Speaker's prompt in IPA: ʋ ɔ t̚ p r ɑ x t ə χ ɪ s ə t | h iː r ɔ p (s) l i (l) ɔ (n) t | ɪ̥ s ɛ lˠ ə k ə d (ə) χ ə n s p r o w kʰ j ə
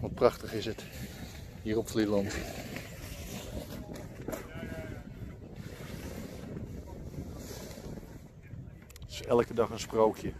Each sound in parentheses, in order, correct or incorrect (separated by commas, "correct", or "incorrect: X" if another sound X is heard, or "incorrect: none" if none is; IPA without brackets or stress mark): incorrect: f, correct, correct, incorrect: ɑ